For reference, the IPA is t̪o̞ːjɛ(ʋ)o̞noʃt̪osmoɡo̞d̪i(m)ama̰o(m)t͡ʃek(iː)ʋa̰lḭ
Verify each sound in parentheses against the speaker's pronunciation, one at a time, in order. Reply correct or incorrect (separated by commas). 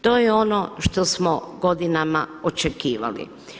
incorrect, incorrect, incorrect, correct